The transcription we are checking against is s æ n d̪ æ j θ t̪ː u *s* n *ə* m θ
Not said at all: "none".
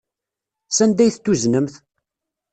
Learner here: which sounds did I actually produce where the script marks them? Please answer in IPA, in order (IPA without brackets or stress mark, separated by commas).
z, ə